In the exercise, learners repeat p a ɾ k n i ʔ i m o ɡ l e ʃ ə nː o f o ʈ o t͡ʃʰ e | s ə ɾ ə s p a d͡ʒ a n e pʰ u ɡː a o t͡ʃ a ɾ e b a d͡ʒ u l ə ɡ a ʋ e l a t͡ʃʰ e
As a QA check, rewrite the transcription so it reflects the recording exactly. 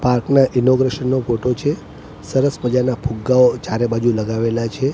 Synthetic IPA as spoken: p a ɾ k n a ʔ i n o ɡ ɾ e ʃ ə nː o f o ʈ o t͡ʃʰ e | s ə ɾ ə s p ə d͡ʒ a n a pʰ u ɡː a o t͡ʃ a ɾ e b a d͡ʒ u l ə ɡ a ʋ e l a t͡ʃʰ e